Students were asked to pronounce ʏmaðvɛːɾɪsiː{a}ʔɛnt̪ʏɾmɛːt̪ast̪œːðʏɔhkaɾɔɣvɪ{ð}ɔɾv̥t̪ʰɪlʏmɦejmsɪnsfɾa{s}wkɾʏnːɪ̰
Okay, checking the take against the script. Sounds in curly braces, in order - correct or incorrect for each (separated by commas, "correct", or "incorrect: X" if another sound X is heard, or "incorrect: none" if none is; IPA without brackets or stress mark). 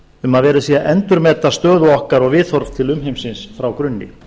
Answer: correct, incorrect: θ, incorrect: none